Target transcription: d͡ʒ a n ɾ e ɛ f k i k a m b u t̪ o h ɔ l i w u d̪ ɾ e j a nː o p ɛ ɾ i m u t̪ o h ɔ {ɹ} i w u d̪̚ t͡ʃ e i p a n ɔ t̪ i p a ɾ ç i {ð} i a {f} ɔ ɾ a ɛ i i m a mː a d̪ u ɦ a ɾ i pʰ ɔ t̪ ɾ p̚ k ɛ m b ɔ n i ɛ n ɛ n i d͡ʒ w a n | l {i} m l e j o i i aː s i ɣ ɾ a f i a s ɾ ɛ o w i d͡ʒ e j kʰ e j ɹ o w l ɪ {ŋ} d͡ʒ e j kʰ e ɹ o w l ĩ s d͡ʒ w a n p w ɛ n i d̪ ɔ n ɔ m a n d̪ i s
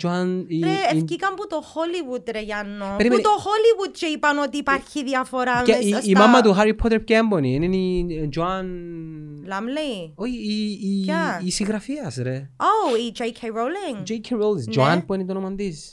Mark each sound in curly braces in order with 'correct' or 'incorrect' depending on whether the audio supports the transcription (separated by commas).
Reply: incorrect, correct, correct, incorrect, correct